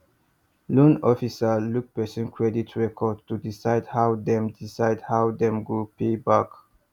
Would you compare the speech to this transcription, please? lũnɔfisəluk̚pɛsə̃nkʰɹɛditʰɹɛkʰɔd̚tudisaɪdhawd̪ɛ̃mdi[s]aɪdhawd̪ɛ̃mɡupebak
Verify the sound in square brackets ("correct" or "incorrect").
correct